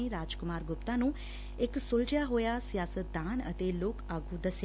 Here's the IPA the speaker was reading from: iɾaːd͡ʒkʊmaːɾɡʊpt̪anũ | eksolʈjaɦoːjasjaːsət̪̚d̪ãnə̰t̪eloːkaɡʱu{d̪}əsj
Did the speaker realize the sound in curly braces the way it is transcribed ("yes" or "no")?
yes